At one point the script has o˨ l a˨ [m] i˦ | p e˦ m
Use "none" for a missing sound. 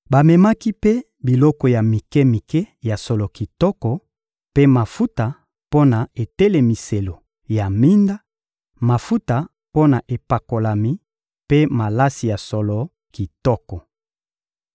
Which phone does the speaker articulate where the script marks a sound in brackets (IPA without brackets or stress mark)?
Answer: m